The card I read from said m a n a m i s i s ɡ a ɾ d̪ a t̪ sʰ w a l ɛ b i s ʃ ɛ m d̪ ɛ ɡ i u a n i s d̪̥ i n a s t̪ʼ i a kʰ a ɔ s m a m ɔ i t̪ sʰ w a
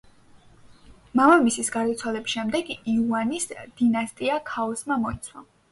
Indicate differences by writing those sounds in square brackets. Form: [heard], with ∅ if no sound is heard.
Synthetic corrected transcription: m a [m] a m i s i s ɡ a ɾ d̪ a t̪ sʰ w a l ɛ b i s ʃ ɛ m d̪ ɛ ɡ i u a n i s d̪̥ i n a s t̪ʼ i a kʰ a ɔ s m a m ɔ i t̪ sʰ w a

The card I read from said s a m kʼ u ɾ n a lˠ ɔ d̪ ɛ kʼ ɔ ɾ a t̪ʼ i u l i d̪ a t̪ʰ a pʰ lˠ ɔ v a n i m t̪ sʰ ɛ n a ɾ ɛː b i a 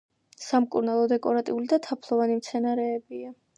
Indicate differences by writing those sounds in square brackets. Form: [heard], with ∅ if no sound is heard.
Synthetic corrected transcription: s a m kʼ u ɾ n a lˠ ɔ d̪ ɛ kʼ ɔ ɾ a t̪ʼ i u l i d̪ a t̪ʰ a pʰ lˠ ɔ v a n i m t̪ sʰ ɛ n a ɾ ɛː b i a

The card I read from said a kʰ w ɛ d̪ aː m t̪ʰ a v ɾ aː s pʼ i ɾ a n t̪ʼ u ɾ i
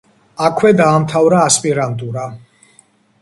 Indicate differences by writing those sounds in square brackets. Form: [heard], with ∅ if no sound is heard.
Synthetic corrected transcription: a kʰ w ɛ d̪ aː m t̪ʰ a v ɾ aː s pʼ i ɾ a n t̪ʼ u ɾ [a]

